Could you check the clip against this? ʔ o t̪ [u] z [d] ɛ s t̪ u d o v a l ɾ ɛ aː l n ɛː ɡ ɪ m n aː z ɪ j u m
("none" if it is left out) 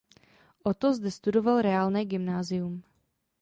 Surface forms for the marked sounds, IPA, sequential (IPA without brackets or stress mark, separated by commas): o, d